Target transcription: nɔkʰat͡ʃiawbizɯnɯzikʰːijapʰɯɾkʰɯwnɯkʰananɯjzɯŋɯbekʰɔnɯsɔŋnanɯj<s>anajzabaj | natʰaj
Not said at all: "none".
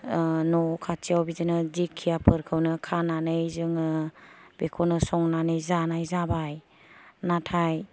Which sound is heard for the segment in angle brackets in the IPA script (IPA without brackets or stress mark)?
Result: z